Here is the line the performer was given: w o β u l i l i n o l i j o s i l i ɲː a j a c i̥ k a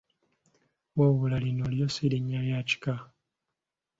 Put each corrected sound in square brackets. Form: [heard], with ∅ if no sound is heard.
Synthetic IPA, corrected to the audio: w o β u l [a] l i n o l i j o s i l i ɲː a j a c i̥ k a